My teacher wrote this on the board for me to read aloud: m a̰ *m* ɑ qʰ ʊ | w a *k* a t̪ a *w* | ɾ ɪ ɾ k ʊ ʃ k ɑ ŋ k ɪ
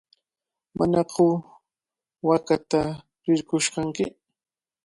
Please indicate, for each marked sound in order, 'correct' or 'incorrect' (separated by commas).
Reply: incorrect, correct, incorrect